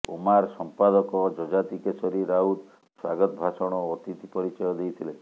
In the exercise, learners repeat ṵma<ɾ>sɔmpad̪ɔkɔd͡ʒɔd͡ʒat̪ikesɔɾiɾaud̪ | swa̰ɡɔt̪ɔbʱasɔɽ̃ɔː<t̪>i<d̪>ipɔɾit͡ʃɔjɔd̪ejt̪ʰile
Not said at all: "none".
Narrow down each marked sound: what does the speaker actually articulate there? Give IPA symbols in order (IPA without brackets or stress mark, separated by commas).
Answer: ɾ, t̪, t̪